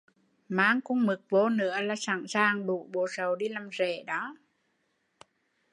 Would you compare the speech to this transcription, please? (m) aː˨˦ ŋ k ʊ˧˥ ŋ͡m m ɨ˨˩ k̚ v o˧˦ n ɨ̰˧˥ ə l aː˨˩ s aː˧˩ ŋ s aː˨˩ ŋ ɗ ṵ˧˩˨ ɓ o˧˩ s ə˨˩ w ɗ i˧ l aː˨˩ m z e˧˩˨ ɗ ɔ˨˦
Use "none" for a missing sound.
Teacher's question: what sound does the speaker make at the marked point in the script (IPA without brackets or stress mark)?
m